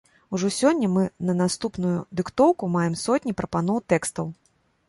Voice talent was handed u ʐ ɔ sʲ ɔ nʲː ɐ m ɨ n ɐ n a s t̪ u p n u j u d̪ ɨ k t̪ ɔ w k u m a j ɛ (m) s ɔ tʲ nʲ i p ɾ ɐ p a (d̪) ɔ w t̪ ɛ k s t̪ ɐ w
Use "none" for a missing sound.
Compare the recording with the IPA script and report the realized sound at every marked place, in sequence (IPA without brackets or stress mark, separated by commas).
m, n̪